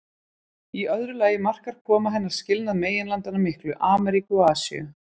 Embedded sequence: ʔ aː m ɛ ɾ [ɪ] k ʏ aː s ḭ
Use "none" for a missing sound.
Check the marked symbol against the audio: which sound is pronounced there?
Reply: i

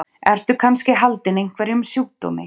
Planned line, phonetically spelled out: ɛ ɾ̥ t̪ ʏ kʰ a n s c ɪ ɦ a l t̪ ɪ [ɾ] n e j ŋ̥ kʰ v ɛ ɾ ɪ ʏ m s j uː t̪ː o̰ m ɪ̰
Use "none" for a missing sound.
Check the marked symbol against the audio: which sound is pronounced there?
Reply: none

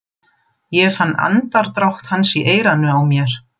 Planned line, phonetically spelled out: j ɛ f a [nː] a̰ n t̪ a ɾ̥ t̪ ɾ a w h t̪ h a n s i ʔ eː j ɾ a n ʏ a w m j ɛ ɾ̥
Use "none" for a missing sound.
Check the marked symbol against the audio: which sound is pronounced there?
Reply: nː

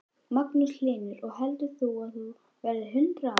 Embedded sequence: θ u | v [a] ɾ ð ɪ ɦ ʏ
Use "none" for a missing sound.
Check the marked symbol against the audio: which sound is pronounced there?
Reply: ɛ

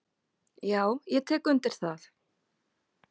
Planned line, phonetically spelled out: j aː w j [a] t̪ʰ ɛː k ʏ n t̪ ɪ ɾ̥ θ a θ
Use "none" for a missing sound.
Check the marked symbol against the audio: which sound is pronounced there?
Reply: ɛ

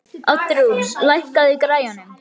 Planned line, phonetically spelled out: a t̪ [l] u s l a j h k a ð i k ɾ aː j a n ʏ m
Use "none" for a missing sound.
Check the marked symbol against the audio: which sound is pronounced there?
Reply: ɾ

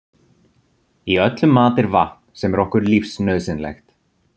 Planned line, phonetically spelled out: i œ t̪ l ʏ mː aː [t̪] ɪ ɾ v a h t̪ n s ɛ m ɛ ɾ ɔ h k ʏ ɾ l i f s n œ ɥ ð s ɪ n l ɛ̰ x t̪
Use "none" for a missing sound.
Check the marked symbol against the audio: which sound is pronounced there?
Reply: t̪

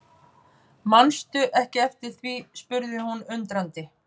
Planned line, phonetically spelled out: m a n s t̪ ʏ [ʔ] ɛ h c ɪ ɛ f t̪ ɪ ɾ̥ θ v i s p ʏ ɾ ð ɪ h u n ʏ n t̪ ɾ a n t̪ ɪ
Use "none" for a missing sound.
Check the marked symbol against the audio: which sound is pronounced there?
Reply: ʔ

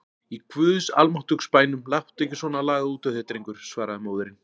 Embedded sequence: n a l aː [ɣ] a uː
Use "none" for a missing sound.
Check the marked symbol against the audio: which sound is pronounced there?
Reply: ɣ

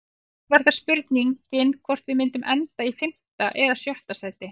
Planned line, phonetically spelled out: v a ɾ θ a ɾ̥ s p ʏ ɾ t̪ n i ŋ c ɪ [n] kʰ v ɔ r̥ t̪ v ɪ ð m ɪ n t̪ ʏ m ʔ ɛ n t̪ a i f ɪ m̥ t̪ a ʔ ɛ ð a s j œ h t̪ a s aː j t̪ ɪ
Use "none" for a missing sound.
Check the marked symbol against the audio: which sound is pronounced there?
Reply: n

